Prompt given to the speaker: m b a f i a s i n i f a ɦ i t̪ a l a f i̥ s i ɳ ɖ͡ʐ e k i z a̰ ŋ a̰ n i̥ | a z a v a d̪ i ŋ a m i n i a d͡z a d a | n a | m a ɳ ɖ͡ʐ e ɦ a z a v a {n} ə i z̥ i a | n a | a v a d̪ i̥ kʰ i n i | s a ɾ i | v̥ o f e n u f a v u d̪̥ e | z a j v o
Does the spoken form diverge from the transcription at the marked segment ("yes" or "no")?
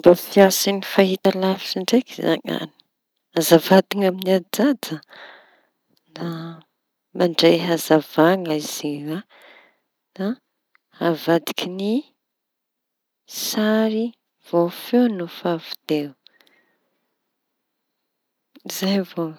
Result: yes